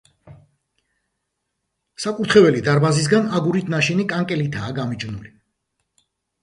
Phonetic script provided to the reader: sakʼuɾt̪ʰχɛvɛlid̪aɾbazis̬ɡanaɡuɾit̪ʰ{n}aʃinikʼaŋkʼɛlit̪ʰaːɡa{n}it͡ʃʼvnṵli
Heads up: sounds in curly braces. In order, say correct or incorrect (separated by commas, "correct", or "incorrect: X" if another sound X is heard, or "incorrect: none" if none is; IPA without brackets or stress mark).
correct, incorrect: m